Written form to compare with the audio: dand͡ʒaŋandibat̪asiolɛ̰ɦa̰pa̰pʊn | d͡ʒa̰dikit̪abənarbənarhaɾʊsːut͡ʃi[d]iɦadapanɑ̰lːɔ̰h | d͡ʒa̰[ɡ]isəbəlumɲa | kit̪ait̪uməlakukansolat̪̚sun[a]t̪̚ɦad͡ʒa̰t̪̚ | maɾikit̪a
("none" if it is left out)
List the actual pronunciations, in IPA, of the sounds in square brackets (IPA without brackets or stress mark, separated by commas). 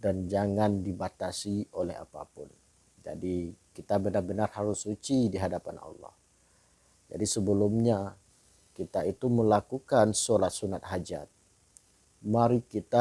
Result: d, d, a